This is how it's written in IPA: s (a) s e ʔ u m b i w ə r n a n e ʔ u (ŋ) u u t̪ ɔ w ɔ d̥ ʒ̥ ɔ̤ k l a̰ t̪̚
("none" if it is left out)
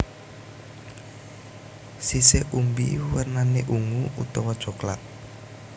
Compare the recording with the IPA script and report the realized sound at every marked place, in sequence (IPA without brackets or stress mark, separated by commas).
i, ŋ